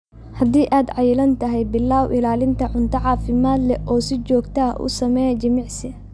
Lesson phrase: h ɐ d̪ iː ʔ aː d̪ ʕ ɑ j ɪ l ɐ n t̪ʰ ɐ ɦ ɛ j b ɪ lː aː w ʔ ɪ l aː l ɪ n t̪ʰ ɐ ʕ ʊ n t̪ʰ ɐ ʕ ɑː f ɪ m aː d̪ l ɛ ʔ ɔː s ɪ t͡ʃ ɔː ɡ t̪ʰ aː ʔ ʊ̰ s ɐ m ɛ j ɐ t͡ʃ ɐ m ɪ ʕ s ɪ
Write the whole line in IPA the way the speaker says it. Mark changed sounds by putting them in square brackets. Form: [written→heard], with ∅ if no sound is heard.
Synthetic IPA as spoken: h ɐ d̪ iː ʔ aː d̪ ʕ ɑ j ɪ l ɐ n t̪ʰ ɐ ɦ ɛ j b ɪ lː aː w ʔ ɪ l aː l ɪ n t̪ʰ ɐ ʕ ʊ n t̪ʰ ɐ ʕ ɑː f ɪ m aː d̪ l ɛ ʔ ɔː s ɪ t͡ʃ ɔː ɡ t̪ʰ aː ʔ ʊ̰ s ɐ m ɛ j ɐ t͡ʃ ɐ m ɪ ʕ s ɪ